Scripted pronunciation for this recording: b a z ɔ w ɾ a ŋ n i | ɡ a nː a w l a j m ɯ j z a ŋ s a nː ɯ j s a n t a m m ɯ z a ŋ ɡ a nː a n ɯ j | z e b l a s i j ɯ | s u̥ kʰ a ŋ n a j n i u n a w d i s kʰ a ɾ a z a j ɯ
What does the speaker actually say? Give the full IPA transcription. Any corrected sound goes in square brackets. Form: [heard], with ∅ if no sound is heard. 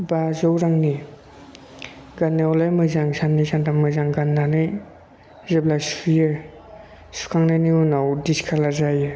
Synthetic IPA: b a z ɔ w ɾ a ŋ n i | ɡ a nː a w l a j m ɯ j z a ŋ s a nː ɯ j s a n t a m m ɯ z a ŋ ɡ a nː a n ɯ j | z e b l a s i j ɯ | s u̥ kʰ a ŋ n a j n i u n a w d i s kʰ a [l] a z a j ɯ